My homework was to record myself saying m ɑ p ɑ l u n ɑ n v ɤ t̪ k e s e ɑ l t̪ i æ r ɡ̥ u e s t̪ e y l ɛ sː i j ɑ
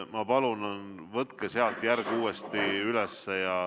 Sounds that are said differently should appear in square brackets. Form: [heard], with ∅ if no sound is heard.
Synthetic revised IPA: m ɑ p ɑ l u n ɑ n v ɤ t̪ k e s e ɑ l t̪ [j] æ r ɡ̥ [uː] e s t̪ [i] y l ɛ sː [e] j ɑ